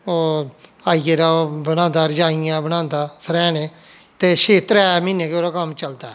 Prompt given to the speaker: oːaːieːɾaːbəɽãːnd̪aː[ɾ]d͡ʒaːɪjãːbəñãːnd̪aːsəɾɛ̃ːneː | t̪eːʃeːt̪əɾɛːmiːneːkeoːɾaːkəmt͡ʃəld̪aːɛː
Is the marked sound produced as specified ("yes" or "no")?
yes